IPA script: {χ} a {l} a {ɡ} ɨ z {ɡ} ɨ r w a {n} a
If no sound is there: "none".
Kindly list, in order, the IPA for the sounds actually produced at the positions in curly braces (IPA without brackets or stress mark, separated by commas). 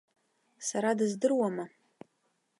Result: s, ɾ, d, d, m